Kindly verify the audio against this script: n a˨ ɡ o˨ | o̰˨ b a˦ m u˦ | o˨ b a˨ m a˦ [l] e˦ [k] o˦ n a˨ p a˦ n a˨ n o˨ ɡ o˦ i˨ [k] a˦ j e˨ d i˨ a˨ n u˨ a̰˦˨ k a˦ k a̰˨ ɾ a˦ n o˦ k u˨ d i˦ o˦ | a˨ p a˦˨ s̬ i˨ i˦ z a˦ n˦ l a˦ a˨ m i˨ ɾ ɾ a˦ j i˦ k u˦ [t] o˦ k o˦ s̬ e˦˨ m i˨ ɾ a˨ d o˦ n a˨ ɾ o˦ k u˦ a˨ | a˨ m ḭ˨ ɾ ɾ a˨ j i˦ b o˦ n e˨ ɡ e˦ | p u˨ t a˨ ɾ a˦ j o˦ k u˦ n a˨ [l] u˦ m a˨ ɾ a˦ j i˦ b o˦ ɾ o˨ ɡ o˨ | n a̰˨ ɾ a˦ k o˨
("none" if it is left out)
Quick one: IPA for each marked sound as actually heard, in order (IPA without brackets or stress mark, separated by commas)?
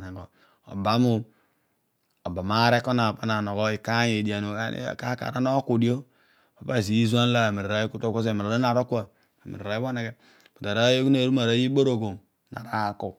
ɾ, k, k, t, ɾ